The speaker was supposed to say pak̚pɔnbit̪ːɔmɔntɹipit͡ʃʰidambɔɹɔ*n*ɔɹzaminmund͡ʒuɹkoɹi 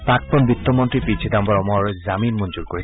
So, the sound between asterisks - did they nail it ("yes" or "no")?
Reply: no